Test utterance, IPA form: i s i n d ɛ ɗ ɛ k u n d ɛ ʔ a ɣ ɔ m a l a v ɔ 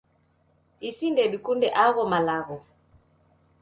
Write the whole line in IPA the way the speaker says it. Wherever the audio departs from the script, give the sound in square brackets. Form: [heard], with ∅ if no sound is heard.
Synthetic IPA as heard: i s i n d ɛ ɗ [i] k u n d ɛ ʔ a ɣ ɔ m a l a [ɣ] ɔ